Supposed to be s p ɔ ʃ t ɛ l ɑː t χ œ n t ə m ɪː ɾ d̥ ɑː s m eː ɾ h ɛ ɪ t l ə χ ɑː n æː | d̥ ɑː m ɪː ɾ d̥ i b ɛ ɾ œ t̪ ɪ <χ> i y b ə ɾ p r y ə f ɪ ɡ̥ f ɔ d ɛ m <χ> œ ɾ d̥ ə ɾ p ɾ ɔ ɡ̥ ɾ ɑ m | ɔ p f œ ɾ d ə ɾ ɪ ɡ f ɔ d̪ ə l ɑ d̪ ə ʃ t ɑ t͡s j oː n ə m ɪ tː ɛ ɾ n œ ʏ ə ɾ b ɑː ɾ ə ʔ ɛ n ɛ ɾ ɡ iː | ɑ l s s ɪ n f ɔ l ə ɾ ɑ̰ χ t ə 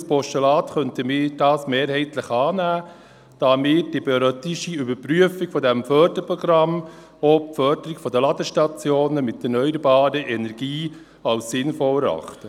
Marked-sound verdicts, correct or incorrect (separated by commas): incorrect, incorrect